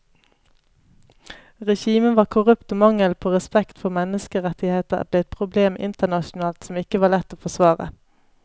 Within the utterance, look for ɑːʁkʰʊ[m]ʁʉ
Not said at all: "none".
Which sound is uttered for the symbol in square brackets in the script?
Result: none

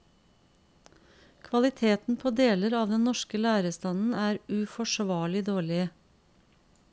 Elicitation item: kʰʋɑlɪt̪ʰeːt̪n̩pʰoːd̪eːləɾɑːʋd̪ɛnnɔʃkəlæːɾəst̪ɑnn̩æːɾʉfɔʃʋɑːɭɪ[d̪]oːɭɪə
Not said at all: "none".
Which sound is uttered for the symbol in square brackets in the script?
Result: d̪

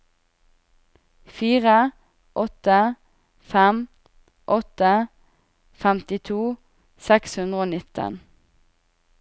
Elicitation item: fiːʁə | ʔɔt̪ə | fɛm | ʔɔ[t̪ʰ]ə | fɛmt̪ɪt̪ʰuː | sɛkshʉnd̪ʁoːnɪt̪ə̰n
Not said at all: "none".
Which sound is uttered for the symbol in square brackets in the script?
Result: t̪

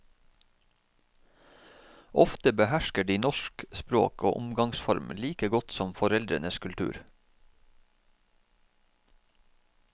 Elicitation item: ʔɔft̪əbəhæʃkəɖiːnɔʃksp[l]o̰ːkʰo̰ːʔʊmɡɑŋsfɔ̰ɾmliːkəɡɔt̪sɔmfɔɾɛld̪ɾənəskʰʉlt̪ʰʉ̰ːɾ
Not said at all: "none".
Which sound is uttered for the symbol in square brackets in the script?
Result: ɾ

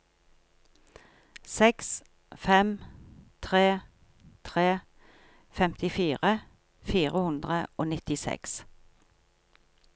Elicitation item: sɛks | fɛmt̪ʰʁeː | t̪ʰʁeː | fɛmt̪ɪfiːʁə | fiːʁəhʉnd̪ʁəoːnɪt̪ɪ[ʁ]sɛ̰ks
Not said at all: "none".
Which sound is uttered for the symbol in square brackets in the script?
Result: none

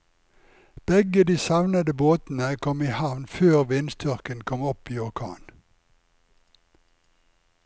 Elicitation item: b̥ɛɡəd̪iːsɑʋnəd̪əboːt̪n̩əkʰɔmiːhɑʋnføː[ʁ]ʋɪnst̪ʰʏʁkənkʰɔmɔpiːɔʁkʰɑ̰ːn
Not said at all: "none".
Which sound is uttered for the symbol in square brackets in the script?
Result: ʁ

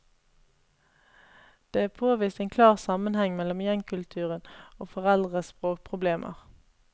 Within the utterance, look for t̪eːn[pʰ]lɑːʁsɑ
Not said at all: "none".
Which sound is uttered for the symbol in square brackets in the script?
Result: kʰ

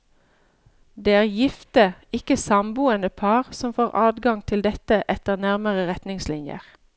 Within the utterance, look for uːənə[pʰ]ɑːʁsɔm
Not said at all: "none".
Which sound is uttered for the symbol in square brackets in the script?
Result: pʰ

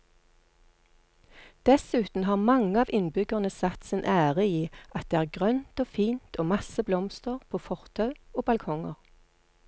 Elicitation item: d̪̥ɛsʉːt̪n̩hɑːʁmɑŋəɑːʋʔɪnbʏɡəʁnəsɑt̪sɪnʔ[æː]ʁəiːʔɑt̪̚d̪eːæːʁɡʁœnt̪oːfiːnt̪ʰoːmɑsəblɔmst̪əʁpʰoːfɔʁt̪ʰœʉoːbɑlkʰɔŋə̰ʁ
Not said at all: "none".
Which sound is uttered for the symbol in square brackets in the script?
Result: æː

